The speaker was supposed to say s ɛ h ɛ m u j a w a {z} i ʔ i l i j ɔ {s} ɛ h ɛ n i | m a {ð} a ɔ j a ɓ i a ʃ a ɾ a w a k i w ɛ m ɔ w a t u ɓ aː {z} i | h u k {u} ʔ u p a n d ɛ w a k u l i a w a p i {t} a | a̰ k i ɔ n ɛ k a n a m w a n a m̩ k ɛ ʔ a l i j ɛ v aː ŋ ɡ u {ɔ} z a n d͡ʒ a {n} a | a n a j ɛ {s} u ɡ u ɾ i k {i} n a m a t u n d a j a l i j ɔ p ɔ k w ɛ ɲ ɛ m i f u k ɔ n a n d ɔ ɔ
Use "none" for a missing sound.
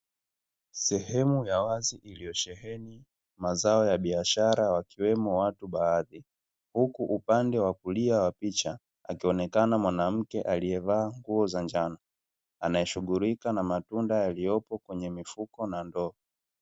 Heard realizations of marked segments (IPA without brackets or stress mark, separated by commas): z, ʃ, z, ð, u, t͡ʃ, ɔ, n, ʃ, a